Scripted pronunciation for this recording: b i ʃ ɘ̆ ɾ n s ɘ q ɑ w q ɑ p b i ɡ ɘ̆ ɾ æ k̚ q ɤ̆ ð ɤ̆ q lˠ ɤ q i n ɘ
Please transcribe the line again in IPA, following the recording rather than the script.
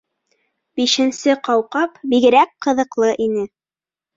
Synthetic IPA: b i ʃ ɘ̆ n s ɘ q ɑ w q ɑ p b i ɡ ɘ̆ ɾ æ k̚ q ɤ̆ ð ɤ̆ q lˠ ɤ ʔ i n ɘ